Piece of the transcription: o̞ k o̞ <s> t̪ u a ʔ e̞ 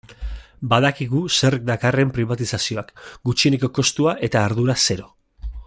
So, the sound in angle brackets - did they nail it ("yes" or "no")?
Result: yes